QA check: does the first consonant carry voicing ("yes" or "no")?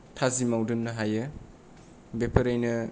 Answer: no